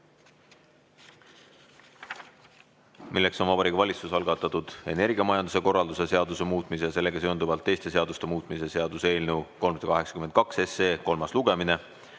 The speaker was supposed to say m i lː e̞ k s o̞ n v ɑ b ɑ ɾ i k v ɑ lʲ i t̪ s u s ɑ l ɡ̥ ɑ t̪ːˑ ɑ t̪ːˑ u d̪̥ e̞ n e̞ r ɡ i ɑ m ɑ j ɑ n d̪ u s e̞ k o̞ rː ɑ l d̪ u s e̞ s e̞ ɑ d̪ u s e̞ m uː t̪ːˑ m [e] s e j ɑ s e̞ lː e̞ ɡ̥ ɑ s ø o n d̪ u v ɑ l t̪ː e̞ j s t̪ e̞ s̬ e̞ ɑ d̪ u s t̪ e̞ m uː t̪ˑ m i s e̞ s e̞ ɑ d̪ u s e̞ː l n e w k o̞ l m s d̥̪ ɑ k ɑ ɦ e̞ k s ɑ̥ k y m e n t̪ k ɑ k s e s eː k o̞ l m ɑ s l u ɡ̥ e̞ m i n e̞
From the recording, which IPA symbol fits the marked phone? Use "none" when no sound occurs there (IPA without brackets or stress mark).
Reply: i